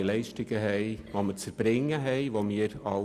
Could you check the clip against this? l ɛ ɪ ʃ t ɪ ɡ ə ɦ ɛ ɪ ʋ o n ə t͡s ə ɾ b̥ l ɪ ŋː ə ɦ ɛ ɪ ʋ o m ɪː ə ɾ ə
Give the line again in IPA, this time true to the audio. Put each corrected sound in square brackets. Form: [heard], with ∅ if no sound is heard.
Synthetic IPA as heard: l ɛ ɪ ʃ t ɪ ɡ ə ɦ ɛ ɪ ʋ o [m] ə t͡s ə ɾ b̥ [ɾ] ɪ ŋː ə ɦ ɛ ɪ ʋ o m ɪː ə ɾ [ɑ]